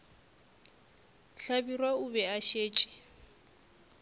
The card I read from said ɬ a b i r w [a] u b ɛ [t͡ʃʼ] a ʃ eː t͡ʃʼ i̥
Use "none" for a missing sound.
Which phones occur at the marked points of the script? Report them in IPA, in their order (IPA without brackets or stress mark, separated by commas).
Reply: a, none